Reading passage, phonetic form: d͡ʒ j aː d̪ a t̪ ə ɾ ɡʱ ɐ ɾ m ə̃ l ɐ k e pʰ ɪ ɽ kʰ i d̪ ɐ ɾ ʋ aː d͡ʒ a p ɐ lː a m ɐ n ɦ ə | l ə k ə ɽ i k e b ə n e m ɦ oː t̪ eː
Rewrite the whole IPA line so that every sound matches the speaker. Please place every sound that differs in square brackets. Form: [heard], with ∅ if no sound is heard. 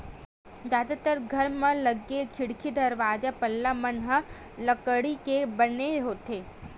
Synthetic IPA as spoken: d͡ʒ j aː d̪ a t̪ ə ɾ ɡʱ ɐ ɾ m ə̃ l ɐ [ɡ] e [kʰ] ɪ ɽ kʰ i d̪ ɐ ɾ ʋ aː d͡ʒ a p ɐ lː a m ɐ n ɦ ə | l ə k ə ɽ i k e b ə n e [∅] ɦ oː t̪ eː